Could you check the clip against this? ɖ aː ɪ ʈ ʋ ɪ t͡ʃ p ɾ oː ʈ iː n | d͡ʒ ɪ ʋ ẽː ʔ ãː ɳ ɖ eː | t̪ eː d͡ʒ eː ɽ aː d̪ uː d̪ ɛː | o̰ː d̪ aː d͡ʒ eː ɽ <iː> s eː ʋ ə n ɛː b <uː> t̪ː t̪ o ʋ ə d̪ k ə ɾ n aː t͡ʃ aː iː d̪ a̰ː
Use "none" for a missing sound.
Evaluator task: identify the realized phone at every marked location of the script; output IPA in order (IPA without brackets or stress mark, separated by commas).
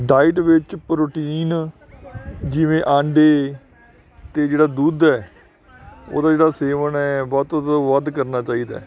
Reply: aː, ɔː